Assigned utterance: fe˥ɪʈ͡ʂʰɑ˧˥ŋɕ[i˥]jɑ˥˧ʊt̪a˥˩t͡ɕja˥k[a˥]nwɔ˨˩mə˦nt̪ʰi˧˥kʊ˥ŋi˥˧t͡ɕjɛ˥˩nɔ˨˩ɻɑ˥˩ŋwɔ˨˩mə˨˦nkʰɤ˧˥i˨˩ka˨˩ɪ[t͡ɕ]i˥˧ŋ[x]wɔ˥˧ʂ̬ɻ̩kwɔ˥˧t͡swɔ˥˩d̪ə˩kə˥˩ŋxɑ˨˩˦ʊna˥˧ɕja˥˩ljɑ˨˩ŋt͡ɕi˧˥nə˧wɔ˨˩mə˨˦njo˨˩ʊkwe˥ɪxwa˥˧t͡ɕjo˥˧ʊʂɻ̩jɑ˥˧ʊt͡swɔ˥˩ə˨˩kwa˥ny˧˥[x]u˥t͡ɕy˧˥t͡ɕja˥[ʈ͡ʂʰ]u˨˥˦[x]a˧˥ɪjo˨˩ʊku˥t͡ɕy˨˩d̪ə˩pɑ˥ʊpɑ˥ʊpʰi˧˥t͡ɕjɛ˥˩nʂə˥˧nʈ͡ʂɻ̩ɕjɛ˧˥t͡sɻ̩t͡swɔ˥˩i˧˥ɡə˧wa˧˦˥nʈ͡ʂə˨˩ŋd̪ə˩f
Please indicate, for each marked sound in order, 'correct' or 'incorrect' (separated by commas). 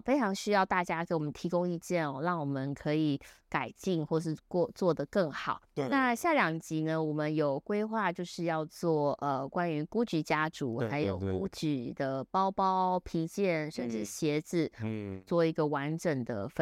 incorrect, incorrect, correct, correct, incorrect, incorrect, correct